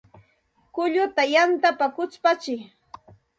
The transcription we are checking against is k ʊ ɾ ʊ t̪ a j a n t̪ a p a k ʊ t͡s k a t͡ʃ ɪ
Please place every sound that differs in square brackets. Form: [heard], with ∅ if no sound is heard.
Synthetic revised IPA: k ʊ [ʎ] ʊ t̪ a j a n t̪ a p a k ʊ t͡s [p] a t͡ʃ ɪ